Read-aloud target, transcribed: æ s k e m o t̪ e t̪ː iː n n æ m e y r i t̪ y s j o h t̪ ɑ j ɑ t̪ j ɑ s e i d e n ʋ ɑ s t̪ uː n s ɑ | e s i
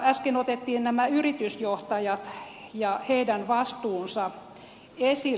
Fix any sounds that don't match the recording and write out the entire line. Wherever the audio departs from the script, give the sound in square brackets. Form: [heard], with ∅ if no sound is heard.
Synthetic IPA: æ s k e [n] o t̪ e t̪ː iː n n æ m [æ] y r i t̪ y s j o h t̪ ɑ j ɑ t̪ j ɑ [h] e i d [æ] n ʋ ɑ s t̪ uː n s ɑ | e s i